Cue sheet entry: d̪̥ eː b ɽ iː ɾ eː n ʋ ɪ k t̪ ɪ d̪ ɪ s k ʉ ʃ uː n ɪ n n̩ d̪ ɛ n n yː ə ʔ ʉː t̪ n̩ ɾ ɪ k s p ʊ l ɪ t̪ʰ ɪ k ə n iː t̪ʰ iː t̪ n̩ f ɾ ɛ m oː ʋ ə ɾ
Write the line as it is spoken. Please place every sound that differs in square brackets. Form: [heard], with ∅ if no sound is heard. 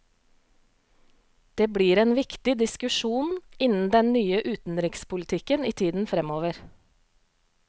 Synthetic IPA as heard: d̪̥ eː b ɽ iː ɾ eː n ʋ ɪ k t̪ ɪ d̪ ɪ s k ʉ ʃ uː n ɪ n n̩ d̪ ɛ n n yː ə ʔ ʉː t̪ n̩ ɾ ɪ k s p ʊ l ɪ t̪ʰ ɪ k ə n iː t̪ʰ iː [d̪] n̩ f ɾ ɛ m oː ʋ ə ɾ